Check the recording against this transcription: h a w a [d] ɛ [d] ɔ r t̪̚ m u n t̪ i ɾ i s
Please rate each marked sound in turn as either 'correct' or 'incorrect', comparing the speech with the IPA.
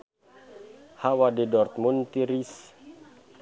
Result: correct, correct

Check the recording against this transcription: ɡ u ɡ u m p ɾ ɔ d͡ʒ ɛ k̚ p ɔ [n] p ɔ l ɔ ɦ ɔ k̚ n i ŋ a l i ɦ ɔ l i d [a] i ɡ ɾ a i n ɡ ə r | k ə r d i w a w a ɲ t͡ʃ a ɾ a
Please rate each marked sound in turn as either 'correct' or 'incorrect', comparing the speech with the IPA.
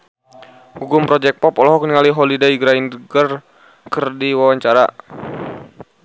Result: incorrect: none, correct

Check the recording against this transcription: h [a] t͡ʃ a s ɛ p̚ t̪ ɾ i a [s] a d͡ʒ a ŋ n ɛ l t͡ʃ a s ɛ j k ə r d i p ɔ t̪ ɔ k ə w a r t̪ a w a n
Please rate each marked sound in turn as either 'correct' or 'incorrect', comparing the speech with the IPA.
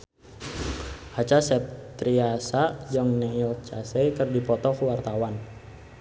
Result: correct, correct

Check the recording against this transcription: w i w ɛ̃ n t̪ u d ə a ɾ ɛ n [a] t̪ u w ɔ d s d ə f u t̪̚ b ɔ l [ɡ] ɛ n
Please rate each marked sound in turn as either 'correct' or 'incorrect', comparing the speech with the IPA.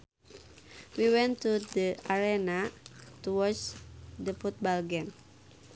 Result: correct, correct

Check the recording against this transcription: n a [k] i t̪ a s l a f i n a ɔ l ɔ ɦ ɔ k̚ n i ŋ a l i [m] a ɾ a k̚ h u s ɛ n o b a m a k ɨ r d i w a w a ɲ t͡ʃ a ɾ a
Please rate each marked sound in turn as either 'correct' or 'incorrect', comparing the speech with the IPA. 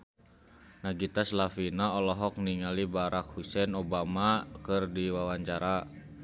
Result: incorrect: ɡ, incorrect: b

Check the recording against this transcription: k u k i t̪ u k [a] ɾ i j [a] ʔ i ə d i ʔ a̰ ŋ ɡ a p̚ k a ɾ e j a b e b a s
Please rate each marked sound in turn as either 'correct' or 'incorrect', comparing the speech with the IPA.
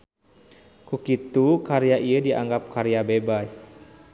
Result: correct, correct

